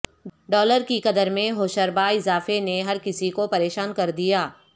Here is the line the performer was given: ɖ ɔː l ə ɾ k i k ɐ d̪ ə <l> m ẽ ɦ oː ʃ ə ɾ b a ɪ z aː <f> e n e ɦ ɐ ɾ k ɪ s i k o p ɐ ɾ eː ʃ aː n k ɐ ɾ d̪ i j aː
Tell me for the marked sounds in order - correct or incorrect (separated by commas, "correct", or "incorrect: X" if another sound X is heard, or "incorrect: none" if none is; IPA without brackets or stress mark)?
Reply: incorrect: ɾ, correct